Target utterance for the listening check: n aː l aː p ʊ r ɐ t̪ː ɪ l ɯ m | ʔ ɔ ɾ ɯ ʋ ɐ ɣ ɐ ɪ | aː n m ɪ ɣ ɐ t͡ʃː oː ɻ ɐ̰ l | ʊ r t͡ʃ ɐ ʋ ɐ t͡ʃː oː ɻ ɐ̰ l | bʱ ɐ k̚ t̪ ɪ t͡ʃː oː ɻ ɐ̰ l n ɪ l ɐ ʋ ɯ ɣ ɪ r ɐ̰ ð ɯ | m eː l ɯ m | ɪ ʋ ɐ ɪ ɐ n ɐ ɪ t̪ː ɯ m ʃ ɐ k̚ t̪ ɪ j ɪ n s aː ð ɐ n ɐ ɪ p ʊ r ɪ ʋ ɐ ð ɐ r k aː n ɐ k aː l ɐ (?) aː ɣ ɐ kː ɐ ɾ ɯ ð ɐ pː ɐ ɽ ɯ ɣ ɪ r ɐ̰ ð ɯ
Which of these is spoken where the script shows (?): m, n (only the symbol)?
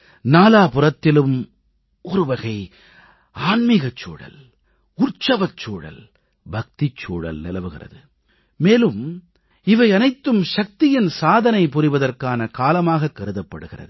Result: m